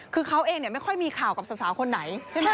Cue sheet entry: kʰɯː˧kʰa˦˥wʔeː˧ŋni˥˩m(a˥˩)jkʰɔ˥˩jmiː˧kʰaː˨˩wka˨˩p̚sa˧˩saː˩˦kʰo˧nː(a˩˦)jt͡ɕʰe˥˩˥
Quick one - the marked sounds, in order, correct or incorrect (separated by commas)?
correct, correct